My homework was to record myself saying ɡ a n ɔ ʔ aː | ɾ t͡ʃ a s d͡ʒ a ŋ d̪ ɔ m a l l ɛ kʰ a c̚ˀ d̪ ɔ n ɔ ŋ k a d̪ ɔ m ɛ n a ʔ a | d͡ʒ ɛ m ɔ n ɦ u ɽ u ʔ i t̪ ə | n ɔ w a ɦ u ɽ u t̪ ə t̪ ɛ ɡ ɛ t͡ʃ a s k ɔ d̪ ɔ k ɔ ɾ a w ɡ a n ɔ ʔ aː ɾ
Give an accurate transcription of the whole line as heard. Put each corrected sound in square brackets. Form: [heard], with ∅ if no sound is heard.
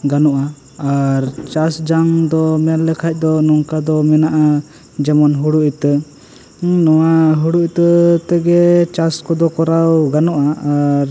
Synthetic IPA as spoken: ɡ a n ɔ ʔ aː | ɾ t͡ʃ a s d͡ʒ a ŋ d̪ ɔ m [ɛ] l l ɛ kʰ a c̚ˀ d̪ ɔ n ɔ ŋ k a d̪ ɔ m ɛ n a ʔ a | d͡ʒ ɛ m ɔ n ɦ u ɽ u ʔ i t̪ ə | n ɔ w a ɦ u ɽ u t̪ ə t̪ ɛ ɡ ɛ t͡ʃ a s k ɔ d̪ ɔ k ɔ ɾ a w ɡ a n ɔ ʔ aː ɾ

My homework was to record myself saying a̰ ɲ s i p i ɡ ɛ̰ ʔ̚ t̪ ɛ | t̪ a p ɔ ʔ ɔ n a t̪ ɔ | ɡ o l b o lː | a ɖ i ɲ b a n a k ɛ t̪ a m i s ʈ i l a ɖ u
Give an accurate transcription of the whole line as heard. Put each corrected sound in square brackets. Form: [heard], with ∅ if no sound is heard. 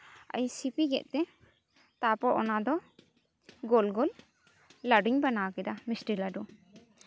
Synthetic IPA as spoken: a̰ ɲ s i p i ɡ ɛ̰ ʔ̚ t̪ ɛ | t̪ a p ɔ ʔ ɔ n a [d̪] ɔ | ɡ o l [ɡ] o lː | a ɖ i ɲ b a n a k ɛ [d̪] a m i s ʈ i l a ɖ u

